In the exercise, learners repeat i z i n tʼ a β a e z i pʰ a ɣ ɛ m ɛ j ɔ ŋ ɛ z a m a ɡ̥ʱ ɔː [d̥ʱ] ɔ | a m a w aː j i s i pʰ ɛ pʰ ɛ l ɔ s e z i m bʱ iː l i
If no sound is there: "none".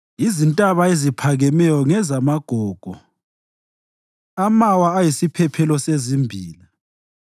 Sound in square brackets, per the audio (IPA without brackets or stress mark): ɡ̥ʱ